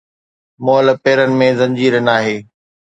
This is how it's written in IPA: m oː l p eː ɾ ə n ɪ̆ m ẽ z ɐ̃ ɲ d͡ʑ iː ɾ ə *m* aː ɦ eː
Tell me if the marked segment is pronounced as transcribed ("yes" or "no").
no